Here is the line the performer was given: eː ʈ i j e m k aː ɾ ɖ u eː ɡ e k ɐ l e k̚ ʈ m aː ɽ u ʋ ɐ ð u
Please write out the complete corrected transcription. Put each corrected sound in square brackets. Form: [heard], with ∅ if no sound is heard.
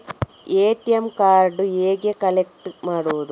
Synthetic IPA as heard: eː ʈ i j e m k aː ɾ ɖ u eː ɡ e k ɐ l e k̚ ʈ m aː ɽ u ʋ ɐ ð u